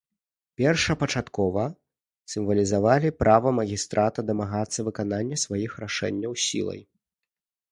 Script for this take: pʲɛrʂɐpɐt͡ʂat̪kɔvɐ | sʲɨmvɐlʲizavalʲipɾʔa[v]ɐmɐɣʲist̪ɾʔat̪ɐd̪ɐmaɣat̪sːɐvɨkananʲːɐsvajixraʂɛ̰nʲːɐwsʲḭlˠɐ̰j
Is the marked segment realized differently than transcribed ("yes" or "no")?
no